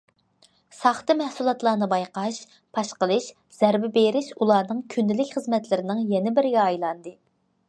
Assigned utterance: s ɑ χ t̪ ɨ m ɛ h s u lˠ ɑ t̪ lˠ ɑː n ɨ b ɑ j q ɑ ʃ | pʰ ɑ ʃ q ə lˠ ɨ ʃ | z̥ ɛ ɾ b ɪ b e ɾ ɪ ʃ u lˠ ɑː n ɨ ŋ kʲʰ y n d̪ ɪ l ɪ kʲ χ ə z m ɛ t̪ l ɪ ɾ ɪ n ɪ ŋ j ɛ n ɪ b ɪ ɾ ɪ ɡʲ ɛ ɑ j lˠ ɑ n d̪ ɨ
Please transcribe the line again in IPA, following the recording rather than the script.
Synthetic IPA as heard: s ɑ χ t̪ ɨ m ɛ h s u lˠ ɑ t̪ lˠ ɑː n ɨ b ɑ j q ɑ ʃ | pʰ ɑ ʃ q ə lˠ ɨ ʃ | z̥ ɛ ɾ b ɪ b e ɾ ɪ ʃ u lˠ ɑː n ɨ ŋ kʲʰ y n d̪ ɪ l ɪ kʲ χ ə z m ɛ t̪ l ɪ ɾ ɪ n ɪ ŋ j ɛ n ɪ b ɪ ɾ ɪ ɡʲ ɛ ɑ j lˠ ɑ n d̪ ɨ